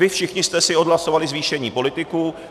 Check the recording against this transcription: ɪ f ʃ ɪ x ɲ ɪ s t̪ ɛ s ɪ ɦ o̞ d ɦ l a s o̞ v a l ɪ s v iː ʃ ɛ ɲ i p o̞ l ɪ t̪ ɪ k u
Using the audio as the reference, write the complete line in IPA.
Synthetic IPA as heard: ɪ f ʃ ɪ x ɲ ɪ s t̪ ɛ s ɪ o̞ d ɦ l a s o̞ v a l ɪ z v iː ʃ ɛ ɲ iː p o̞ l ɪ t̪ ɪ k u